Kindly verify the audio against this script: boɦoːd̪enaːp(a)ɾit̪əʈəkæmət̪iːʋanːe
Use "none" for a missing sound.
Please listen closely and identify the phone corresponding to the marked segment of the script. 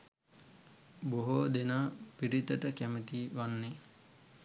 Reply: i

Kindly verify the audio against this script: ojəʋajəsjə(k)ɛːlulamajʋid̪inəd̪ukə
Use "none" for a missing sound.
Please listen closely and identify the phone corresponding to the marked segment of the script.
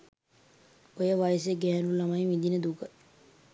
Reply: ɡ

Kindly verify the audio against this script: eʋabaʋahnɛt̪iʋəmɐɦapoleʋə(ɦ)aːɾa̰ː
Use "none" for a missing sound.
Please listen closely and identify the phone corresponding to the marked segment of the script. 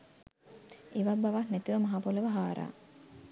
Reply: ɦ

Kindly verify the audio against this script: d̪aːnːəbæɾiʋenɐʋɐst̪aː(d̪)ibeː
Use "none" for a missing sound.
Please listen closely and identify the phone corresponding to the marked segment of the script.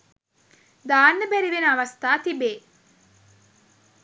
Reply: t̪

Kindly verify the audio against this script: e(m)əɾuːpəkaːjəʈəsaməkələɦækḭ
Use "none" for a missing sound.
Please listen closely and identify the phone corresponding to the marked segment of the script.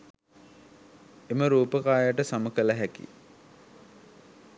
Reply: m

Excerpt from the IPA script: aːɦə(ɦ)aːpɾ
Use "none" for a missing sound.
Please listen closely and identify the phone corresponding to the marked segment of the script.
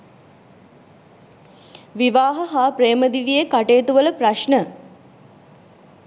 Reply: ɦ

